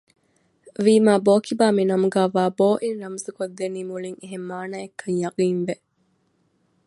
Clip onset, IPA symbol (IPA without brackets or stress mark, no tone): ʋ